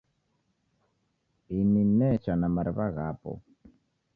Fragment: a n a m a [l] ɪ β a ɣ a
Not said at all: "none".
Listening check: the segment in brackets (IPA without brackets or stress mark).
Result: ɾ